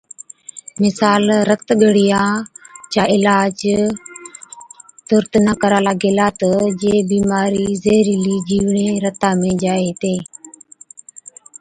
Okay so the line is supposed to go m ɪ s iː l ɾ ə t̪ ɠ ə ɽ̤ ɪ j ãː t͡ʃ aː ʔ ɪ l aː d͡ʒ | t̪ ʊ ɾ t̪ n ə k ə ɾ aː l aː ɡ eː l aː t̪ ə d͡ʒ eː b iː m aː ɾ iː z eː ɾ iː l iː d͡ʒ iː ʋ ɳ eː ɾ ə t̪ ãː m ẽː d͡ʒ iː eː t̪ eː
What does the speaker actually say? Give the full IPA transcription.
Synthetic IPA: m ɪ s aː l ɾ ə t̪ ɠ ə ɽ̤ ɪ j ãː t͡ʃ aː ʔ ɪ l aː d͡ʒ | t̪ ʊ ɾ t̪ n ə k ə ɾ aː l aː ɡ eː l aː t̪ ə d͡ʒ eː b iː m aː ɾ iː z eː ɾ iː l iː d͡ʒ iː ʋ ɳ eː ɾ ə t̪ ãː m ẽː d͡ʒ aː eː t̪ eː

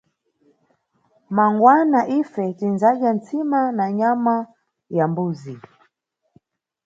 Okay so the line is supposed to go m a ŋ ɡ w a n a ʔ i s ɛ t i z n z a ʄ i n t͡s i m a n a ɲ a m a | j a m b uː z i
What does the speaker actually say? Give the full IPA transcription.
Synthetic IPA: m a ŋ ɡ w a n a ʔ i f ɛ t i n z a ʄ a n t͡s i m a n a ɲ a m a | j a m b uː z i

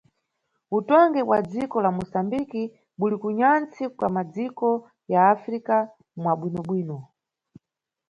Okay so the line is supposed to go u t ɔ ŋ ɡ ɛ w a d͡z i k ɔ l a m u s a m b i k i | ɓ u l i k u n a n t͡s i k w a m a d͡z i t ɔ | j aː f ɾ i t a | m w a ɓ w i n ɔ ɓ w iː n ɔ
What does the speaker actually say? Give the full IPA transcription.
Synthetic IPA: u t ɔ ŋ ɡ ɛ w a d͡z i k ɔ l a m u s a m b i k i | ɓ u l i k u ɲ a n t͡s i k w a m a d͡z i k ɔ | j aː f ɾ i k a | m w a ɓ w i n ɔ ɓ w iː n ɔ

